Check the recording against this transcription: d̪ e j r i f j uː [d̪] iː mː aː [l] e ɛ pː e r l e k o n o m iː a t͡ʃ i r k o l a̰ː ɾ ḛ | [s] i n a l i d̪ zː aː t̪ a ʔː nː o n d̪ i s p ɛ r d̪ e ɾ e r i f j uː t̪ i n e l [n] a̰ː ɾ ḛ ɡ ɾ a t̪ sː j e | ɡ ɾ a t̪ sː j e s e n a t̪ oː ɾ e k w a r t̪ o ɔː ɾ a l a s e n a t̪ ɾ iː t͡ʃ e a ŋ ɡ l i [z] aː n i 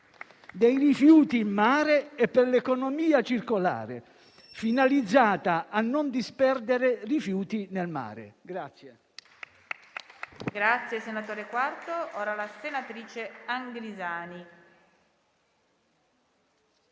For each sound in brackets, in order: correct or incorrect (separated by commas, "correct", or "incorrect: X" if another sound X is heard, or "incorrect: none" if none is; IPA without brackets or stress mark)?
incorrect: t̪, incorrect: ɾ, incorrect: f, incorrect: m, correct